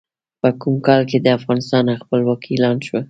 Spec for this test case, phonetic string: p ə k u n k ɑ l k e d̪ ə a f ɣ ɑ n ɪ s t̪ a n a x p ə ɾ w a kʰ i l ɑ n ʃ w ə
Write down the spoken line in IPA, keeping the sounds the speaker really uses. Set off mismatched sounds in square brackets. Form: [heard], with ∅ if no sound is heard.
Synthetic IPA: p ə k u [m] k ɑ l k e d̪ ə a f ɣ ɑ n ɪ s t̪ [ɑ] n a x p ə [l] w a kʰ i l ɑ n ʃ w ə